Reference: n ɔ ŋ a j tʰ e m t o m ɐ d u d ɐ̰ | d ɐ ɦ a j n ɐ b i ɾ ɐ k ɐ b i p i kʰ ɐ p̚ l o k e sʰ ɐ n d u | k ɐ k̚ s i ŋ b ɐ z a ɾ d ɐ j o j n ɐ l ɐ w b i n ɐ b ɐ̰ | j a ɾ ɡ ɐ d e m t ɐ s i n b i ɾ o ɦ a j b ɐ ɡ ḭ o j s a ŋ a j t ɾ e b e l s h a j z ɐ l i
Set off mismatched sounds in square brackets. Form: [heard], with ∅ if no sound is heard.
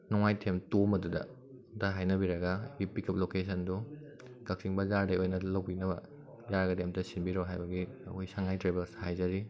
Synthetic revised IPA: n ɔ ŋ a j tʰ e m t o m ɐ d u d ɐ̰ | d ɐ ɦ a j n ɐ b i ɾ ɐ [ɡ] ɐ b i p i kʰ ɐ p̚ l o k e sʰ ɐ n d u | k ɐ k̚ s i ŋ b ɐ z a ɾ d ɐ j o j n ɐ l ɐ w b i n ɐ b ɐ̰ | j a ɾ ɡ ɐ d e m t ɐ s i n b i ɾ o ɦ a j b ɐ ɡ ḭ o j s a ŋ a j t ɾ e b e l s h a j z ɐ [ɾ] i